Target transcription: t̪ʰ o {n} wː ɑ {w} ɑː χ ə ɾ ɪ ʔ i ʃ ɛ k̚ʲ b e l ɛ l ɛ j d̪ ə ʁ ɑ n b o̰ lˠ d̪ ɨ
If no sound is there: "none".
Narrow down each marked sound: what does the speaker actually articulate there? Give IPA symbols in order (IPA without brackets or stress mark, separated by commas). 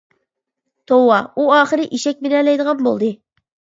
none, u